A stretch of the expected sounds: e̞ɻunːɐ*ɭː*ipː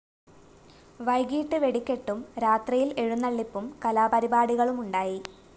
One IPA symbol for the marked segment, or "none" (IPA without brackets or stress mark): ɭː